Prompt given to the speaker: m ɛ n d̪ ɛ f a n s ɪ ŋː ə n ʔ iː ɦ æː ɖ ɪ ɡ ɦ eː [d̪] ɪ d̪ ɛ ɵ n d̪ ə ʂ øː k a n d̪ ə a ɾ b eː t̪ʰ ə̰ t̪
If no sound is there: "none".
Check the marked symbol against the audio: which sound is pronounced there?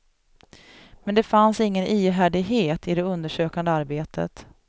t̪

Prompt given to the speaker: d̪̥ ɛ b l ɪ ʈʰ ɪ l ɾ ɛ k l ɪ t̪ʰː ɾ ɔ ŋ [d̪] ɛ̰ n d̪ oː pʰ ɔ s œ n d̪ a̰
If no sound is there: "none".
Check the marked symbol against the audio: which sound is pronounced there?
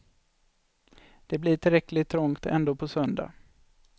t̪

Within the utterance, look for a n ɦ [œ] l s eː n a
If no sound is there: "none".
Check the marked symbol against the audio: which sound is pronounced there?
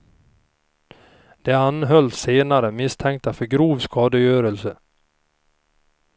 œ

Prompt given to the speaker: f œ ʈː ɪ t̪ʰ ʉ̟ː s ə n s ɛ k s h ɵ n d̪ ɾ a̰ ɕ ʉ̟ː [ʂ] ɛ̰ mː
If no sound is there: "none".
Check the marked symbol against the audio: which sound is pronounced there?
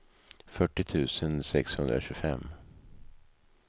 f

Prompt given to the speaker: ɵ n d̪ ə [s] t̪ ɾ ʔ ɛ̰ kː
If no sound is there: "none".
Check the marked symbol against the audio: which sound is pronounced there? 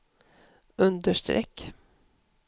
ʂ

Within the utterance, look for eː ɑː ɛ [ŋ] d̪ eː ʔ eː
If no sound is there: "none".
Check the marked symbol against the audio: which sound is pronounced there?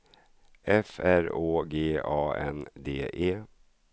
n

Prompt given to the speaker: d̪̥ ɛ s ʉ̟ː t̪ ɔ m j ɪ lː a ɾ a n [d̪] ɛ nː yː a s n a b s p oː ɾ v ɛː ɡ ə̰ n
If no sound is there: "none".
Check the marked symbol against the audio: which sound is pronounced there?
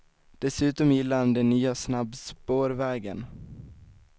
d̪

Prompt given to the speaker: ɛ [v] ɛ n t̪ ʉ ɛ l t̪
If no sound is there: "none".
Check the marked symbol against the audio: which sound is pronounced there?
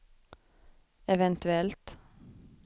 ʋ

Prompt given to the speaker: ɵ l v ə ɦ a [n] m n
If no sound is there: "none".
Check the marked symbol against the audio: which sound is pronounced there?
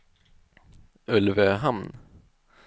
none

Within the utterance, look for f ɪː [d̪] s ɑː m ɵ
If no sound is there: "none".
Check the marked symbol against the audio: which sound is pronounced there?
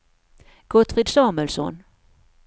d̪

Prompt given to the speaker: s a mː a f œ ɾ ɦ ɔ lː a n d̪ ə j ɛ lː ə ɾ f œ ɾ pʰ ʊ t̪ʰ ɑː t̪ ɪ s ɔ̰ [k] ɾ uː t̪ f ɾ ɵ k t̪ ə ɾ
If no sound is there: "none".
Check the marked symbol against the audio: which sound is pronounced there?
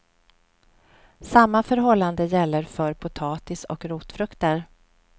k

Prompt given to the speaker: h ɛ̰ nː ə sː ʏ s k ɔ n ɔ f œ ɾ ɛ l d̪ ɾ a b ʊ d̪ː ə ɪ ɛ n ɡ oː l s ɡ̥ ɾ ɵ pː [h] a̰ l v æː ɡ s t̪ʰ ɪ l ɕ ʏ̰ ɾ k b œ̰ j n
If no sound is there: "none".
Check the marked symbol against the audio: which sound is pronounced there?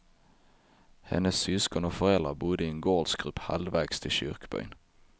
h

